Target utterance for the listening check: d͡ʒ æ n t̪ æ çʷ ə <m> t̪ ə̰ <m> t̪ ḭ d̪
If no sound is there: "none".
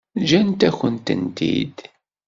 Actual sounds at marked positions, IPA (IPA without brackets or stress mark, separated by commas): n, n